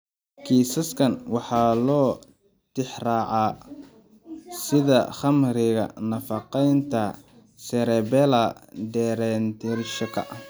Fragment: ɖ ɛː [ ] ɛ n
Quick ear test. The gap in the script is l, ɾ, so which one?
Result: ɾ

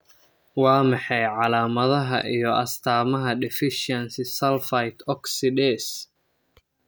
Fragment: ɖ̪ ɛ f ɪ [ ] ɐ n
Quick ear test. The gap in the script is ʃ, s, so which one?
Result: ʃ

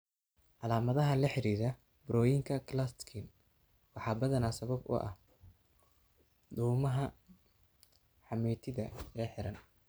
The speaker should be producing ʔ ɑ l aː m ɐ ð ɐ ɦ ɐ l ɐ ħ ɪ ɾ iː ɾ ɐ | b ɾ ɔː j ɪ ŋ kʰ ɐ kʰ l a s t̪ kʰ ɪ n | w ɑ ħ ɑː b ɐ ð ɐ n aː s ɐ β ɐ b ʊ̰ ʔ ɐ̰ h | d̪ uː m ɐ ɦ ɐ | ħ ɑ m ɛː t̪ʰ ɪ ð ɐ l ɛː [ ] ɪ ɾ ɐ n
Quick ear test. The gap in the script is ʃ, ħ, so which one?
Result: ħ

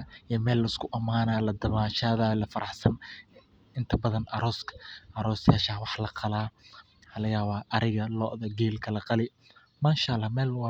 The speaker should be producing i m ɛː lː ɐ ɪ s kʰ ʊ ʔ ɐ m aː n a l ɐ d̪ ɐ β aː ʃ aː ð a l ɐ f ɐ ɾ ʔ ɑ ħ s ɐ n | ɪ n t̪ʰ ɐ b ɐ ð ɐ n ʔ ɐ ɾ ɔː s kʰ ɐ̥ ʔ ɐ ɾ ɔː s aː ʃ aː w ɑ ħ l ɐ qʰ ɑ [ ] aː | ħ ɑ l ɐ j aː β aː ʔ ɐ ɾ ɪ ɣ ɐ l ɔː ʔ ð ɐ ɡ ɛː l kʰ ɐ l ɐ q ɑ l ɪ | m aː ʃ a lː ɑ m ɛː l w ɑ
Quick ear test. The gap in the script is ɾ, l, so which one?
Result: l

